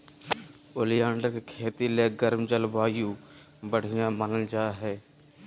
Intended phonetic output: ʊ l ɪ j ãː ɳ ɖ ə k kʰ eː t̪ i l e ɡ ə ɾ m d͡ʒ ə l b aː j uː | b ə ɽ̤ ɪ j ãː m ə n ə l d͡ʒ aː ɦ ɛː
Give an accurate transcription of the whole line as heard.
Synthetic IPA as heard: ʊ l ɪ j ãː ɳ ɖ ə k kʰ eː t̪ i l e ɡ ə ɾ m d͡ʒ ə l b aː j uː | b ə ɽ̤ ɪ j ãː m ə n ə l d͡ʒ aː ɦ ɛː